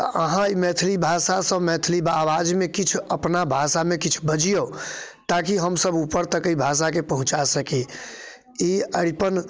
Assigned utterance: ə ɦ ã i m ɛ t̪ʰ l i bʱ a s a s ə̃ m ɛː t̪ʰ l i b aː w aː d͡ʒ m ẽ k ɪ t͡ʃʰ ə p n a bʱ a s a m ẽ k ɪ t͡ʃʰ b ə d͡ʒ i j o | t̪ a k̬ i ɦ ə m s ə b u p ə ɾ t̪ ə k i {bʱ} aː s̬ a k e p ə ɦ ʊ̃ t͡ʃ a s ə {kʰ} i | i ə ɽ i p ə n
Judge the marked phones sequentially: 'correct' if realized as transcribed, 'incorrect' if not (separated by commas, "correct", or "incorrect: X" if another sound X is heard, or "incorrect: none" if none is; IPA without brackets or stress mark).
correct, incorrect: k